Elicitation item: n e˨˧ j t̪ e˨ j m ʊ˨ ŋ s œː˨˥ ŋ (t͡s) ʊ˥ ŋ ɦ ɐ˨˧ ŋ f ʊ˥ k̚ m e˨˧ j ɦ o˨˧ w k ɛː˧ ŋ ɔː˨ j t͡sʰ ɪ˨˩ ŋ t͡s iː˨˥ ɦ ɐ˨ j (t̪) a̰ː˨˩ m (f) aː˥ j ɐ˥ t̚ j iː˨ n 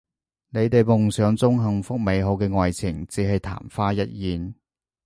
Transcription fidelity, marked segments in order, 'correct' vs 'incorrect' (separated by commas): correct, incorrect, correct